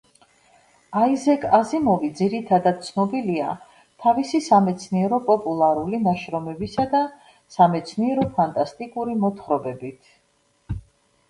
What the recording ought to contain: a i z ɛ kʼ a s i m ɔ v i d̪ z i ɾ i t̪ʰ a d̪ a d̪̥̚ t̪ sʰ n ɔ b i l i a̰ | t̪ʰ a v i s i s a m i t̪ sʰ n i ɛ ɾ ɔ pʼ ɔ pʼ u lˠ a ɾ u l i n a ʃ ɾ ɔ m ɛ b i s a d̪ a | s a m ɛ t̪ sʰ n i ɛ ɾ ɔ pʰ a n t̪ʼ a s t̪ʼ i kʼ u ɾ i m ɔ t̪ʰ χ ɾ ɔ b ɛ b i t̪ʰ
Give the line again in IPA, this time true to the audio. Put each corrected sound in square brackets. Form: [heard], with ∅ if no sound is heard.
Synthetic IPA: a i z ɛ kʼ a [z] i m ɔ v i d̪ z i ɾ i t̪ʰ a d̪ a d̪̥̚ t̪ sʰ n ɔ b i l i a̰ | t̪ʰ a v i s i s a m [ɛ] t̪ sʰ n i ɛ ɾ ɔ pʼ ɔ pʼ u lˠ a ɾ u l i n a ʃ ɾ ɔ m ɛ b i s a d̪ a | s a m ɛ t̪ sʰ n i ɛ ɾ ɔ pʰ a n t̪ʼ a s t̪ʼ i kʼ u ɾ i m ɔ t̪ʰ χ ɾ ɔ b ɛ b i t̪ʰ